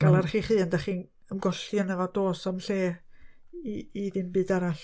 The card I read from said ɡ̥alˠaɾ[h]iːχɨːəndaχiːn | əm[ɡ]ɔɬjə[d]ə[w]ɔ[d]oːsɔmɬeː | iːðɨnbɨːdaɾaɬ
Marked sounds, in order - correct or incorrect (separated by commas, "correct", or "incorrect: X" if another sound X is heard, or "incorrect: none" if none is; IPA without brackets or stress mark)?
incorrect: χ, correct, incorrect: n, incorrect: v, correct